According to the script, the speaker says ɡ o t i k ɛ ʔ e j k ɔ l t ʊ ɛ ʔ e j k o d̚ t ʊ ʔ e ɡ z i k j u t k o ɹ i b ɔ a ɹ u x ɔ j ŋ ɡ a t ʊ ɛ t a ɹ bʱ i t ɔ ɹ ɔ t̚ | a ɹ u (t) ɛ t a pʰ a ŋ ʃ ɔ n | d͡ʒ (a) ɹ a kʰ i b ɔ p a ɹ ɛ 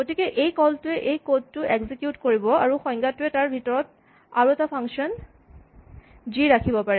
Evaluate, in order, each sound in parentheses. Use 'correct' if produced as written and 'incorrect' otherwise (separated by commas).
incorrect, incorrect